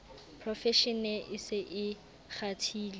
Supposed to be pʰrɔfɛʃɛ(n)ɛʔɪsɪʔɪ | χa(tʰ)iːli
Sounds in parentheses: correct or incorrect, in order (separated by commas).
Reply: correct, correct